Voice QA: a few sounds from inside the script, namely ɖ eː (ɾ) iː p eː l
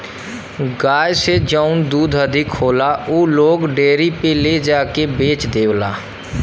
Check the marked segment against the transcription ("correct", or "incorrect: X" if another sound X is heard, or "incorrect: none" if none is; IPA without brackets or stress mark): correct